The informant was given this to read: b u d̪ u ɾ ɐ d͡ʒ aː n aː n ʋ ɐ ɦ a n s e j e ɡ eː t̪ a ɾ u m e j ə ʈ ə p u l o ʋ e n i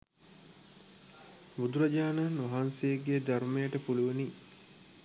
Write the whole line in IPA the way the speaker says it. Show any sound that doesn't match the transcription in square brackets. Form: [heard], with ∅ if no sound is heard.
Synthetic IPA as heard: b u d̪ u ɾ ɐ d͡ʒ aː n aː n ʋ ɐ ɦ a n s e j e ɡ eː [d̪] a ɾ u m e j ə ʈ ə p u l [u] ʋ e n i